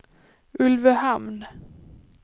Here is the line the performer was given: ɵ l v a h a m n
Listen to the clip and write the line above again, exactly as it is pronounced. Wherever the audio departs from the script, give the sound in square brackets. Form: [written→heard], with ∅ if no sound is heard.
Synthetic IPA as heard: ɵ l v [a→ə] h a m n